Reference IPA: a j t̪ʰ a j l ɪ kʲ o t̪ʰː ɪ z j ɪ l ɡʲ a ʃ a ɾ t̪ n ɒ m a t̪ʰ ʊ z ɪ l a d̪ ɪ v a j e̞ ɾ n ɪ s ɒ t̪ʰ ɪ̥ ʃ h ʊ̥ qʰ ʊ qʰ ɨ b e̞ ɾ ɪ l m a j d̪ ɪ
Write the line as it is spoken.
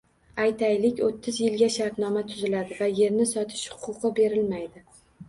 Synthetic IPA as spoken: a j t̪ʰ a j l ɪ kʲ o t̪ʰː ɪ z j ɪ l ɡʲ a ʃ a ɾ t̪ n ɒ m a t̪ʰ ʊ z ɪ l a d̪ ɪ v a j e̞ ɾ n ɪ s ɒ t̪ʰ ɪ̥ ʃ h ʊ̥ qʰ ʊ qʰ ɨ b e̞ ɾ ɪ l m a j d̪ ɪ

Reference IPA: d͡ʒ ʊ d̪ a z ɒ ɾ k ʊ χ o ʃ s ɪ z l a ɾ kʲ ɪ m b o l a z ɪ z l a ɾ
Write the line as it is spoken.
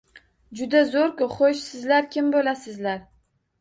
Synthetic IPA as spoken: d͡ʒ ʊ d̪ a z o ɾ k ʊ χ o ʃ s ɪ z l a ɾ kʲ ɪ m b o l a s ɪ z l a ɾ

